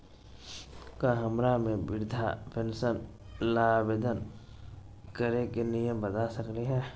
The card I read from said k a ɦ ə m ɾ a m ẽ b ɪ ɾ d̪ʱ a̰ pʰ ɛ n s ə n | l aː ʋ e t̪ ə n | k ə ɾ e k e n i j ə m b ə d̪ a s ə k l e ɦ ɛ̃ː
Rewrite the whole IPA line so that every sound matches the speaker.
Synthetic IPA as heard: k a ɦ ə m ɾ a m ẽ b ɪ ɾ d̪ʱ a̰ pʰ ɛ n s ə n | l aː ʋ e d̪ ə n | k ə ɾ e k e n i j ə m b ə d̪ a s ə k l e ɦ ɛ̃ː